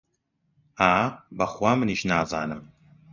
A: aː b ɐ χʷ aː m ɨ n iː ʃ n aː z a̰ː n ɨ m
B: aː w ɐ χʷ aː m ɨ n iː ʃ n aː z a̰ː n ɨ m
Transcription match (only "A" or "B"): A